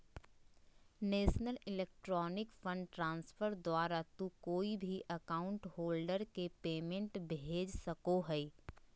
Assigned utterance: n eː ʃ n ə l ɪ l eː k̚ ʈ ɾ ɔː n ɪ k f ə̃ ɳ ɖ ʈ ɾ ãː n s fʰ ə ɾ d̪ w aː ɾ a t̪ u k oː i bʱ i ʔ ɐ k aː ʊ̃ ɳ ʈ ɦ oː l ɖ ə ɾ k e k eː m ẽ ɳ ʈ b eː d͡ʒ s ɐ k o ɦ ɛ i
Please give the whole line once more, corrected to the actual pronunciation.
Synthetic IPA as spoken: n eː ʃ n ə l ɪ l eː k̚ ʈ ɾ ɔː n ɪ k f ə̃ ɳ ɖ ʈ ɾ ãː n s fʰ ə ɾ d̪ w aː ɾ a t̪ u k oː i bʱ i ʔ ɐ k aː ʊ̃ ɳ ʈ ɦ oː l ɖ ə ɾ k e p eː m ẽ ɳ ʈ b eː d͡ʒ s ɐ k o ɦ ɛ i